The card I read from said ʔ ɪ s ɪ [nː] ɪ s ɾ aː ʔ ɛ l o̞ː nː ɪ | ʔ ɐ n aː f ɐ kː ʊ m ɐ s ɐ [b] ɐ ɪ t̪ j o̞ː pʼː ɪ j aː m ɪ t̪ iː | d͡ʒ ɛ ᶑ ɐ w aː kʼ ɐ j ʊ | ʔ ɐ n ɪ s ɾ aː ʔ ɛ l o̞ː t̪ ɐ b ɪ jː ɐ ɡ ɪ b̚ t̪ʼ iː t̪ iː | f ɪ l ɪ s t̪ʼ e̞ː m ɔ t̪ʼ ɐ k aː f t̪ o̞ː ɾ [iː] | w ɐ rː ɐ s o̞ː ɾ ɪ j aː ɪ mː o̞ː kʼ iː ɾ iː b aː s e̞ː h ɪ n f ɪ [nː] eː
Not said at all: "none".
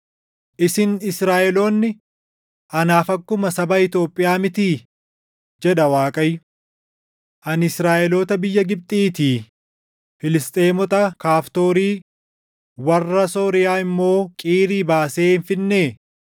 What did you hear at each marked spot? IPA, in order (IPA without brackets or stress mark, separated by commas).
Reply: n, b, iː, nː